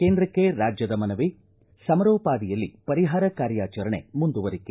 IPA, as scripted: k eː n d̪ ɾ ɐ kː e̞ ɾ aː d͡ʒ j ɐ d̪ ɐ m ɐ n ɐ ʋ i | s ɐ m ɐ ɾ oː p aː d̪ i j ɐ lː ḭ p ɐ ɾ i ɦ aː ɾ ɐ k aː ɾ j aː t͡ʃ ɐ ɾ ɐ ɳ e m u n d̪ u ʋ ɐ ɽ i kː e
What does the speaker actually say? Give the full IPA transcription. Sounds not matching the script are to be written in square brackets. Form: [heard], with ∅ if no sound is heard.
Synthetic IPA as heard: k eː n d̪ ɾ ɐ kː e̞ ɾ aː d͡ʒ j ɐ d̪ ɐ m ɐ n ɐ ʋ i | s ɐ m ɐ ɾ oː p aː d̪ i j ɐ lː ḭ p ɐ ɾ i ɦ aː ɾ ɐ k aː ɾ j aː t͡ʃ ɐ ɾ ɐ ɳ e m u n d̪ u ʋ ɐ [ɾ] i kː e